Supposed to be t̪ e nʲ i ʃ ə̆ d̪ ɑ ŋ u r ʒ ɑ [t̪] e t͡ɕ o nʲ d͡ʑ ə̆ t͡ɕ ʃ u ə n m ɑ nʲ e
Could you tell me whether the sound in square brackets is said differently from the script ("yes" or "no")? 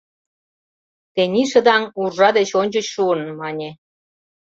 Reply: yes